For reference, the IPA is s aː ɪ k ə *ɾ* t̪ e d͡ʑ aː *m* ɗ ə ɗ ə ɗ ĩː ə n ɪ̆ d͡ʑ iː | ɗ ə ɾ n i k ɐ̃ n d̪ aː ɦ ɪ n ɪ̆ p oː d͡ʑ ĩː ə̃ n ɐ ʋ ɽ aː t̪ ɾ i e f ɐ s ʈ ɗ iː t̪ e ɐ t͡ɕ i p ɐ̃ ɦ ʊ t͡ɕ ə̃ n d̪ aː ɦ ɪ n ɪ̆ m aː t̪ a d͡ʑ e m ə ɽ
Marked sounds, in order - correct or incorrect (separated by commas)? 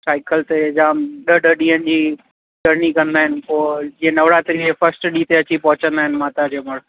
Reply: incorrect, correct